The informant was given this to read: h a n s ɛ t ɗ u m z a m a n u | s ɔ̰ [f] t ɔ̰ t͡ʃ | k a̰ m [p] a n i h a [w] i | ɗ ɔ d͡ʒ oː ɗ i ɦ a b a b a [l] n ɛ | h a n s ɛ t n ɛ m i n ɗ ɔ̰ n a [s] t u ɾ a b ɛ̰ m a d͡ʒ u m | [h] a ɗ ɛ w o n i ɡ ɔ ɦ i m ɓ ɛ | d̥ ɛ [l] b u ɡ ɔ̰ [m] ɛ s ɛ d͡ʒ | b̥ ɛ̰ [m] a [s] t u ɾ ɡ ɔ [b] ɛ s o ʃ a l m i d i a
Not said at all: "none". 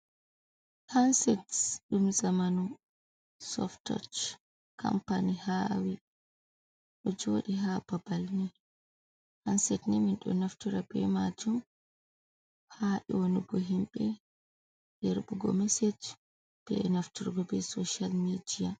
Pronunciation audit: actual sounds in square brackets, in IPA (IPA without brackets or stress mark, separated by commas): f, p, w, l, f, h, ɾ, m, n, f, b